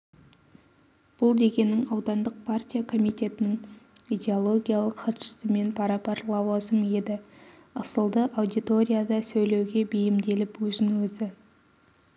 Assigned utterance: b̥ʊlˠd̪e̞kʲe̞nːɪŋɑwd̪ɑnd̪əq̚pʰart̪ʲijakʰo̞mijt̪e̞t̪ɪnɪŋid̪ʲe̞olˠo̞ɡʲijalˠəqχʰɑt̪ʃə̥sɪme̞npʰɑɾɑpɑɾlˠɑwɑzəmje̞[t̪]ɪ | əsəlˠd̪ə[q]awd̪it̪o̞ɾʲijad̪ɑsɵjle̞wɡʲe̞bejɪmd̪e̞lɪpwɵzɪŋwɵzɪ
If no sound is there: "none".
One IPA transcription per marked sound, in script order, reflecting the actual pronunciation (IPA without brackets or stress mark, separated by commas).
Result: d̪, ʔ